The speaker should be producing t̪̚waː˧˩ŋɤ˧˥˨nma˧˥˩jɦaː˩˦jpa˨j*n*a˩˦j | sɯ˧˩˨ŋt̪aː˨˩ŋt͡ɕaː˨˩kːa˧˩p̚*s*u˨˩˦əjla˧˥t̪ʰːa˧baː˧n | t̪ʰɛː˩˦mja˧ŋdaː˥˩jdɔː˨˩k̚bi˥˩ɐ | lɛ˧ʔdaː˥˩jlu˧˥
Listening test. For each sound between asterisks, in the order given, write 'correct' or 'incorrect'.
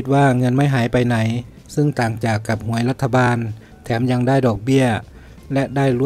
correct, incorrect: h

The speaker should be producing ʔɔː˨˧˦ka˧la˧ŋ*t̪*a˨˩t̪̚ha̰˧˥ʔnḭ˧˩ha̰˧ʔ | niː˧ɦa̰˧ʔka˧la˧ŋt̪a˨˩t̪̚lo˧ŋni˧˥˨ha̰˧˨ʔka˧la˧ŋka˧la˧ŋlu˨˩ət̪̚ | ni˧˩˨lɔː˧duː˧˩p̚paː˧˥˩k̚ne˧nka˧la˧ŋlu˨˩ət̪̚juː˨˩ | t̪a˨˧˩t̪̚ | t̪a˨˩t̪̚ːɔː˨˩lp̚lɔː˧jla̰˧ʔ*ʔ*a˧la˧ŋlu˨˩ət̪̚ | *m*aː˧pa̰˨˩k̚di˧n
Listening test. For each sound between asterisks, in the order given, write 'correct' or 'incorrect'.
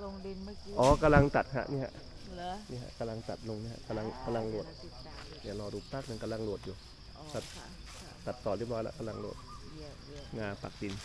correct, incorrect: k, incorrect: ŋ

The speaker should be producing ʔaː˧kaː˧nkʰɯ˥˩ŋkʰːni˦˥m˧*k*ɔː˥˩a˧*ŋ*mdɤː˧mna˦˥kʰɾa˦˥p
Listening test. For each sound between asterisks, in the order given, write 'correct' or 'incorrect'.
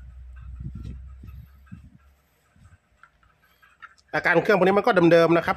correct, incorrect: none

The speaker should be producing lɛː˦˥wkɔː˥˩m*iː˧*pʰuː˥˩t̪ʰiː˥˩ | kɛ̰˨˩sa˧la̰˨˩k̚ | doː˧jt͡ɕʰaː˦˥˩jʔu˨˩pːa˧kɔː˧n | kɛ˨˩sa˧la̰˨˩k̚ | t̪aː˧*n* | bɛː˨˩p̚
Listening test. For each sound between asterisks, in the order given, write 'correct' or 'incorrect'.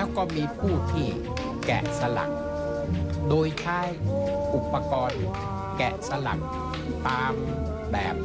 correct, incorrect: m

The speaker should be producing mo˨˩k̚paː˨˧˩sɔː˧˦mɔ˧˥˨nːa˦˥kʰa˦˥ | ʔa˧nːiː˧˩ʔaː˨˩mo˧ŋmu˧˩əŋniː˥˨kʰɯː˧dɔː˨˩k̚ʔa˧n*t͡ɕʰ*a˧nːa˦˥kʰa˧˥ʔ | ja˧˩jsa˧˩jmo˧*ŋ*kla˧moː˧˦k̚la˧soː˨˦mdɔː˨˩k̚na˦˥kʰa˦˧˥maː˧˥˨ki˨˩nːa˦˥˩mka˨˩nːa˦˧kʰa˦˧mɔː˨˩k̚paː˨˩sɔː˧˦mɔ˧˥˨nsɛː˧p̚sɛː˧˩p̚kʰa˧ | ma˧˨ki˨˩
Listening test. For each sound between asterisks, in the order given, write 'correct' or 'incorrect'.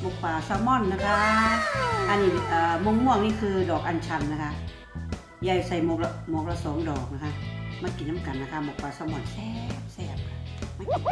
correct, incorrect: none

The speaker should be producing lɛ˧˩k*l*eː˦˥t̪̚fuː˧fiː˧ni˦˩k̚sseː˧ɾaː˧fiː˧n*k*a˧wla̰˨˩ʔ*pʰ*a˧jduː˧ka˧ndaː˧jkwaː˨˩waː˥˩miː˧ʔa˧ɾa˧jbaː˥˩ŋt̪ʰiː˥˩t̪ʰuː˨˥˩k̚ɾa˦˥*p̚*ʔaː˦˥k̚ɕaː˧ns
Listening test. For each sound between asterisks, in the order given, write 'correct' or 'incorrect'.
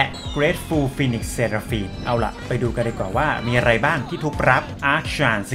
incorrect: ɾ, incorrect: ʔ, incorrect: p, correct

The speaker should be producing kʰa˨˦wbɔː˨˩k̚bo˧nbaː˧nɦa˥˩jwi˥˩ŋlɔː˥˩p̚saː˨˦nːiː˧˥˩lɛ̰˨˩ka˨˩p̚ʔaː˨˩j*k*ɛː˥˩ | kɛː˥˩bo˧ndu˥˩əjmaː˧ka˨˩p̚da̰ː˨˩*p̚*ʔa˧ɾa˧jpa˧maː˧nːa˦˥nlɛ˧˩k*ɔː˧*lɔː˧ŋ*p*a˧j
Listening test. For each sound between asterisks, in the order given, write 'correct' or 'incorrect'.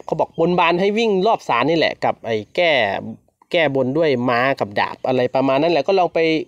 correct, correct, incorrect: ɔː˥˩, correct

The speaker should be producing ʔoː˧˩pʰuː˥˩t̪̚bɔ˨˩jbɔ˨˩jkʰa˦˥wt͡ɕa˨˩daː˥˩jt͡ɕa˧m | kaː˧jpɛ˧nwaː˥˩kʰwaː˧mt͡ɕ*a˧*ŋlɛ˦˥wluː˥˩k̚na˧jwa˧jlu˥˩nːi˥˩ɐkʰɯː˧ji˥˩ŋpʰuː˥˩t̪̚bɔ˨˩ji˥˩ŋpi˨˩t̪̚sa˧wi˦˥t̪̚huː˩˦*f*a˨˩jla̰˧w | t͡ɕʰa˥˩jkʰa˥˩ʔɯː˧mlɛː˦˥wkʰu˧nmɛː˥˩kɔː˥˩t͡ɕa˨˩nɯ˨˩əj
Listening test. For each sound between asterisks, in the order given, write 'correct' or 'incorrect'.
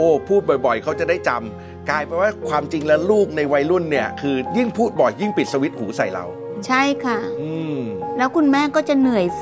incorrect: i˧, incorrect: s

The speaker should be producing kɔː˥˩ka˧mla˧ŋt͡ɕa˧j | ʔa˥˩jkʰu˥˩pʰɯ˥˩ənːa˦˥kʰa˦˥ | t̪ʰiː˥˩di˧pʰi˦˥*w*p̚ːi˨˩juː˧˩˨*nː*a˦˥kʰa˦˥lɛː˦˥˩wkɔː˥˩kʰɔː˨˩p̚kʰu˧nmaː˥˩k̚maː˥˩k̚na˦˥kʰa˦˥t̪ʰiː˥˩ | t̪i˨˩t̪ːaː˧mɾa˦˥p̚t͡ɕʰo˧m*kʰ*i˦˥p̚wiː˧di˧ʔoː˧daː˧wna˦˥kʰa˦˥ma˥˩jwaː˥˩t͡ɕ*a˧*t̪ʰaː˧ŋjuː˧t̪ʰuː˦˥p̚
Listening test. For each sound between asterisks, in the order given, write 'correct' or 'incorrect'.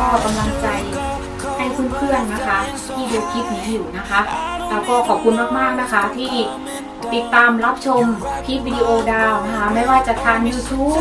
incorrect: none, incorrect: n, incorrect: pʰ, incorrect: a˨˩

